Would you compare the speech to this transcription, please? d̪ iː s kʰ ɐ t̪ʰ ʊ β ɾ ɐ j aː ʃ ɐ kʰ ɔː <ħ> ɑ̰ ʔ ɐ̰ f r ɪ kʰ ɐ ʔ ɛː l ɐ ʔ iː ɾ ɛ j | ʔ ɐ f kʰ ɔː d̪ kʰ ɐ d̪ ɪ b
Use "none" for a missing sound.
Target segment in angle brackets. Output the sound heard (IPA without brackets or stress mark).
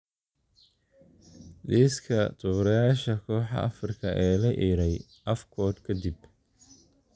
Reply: ħ